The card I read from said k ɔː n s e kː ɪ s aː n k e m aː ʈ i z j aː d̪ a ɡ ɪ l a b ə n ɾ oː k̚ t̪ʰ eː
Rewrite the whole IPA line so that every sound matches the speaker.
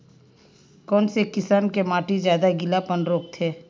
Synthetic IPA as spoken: k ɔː n s e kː ɪ s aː n k e m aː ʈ i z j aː d̪ a ɡ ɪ l a p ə n ɾ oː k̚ t̪ʰ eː